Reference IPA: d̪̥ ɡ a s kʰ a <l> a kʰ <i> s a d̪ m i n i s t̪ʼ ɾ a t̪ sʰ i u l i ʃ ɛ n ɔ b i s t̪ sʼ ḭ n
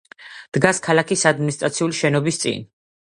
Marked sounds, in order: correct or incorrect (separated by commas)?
correct, correct